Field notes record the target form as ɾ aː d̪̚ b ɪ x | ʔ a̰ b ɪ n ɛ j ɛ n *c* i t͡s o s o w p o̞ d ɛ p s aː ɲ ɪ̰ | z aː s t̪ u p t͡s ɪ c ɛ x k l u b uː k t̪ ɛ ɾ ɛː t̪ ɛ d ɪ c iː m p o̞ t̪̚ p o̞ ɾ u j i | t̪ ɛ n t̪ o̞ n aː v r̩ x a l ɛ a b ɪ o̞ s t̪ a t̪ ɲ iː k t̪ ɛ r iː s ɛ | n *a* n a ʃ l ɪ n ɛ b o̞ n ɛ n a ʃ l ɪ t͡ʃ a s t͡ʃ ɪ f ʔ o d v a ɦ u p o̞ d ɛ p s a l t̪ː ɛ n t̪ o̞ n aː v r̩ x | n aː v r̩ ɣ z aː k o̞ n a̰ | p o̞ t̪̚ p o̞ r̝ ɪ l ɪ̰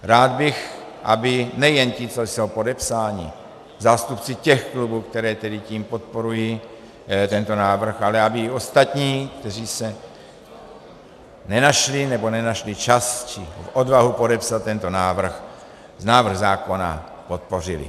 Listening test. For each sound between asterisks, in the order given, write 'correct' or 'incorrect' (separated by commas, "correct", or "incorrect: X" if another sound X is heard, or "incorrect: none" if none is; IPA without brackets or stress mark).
correct, incorrect: ɛ